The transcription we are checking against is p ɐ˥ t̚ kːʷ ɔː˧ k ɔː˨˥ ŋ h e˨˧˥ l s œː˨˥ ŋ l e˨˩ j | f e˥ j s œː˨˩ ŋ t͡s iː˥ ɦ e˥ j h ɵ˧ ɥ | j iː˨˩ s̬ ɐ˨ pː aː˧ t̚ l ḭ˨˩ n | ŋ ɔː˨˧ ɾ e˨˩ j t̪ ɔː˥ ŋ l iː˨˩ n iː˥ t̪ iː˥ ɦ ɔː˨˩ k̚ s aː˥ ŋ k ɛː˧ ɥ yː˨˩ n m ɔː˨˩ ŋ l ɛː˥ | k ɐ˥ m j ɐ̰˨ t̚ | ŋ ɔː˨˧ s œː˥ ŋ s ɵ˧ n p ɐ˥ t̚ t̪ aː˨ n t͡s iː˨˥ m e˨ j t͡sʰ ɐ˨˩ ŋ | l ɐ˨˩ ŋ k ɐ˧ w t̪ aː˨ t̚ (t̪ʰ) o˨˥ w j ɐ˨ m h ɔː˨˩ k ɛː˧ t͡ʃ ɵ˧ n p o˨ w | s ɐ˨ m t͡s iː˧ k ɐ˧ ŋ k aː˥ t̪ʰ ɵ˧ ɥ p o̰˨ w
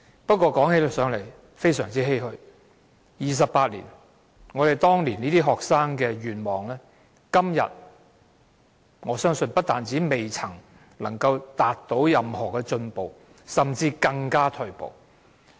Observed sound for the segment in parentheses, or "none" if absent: t̪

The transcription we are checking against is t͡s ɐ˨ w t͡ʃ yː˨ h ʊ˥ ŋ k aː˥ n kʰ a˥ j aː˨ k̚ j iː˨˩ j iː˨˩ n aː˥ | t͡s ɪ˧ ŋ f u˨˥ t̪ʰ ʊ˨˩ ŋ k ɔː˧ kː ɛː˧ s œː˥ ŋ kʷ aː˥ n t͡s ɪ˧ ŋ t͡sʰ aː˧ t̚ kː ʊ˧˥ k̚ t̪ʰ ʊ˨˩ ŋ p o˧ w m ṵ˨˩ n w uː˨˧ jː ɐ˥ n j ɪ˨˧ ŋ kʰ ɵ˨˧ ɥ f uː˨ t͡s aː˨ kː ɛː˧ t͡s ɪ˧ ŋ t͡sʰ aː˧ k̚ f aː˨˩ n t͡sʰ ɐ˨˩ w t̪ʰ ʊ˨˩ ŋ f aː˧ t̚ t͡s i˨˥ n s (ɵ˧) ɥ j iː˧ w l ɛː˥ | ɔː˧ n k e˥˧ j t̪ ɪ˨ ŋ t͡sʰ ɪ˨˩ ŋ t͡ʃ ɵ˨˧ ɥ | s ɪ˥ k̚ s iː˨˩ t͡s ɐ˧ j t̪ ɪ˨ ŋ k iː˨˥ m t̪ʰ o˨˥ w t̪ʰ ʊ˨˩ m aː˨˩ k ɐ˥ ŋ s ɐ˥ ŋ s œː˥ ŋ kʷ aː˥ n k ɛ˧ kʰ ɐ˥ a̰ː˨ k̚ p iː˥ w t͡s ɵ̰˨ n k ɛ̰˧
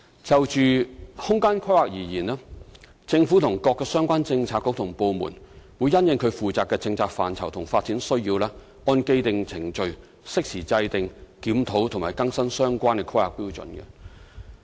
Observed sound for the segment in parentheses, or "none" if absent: ɵ˥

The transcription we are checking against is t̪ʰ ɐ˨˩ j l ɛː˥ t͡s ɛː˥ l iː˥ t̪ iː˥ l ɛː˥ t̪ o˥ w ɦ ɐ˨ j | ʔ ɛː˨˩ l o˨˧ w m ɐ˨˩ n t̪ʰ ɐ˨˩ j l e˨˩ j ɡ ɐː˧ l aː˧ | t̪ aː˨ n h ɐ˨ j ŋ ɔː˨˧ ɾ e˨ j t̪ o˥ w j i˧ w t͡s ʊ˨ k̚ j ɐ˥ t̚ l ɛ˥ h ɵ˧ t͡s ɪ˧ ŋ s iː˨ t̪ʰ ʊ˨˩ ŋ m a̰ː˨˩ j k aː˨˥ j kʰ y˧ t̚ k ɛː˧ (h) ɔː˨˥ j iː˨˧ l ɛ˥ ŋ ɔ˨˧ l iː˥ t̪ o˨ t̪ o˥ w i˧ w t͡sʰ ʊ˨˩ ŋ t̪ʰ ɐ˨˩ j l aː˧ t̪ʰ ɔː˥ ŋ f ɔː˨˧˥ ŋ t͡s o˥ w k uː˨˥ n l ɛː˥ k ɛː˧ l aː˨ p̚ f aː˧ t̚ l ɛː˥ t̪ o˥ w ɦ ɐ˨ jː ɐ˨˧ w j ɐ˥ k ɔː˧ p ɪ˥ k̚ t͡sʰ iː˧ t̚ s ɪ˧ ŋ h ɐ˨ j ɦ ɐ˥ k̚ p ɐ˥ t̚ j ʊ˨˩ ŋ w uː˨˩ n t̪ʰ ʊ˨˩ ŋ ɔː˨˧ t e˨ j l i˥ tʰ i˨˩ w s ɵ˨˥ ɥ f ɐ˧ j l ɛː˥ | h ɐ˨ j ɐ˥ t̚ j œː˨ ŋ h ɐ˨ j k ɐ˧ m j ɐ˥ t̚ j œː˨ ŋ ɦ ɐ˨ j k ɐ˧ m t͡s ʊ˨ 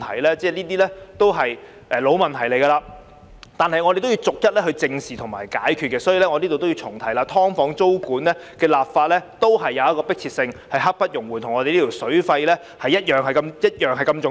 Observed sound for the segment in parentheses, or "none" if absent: s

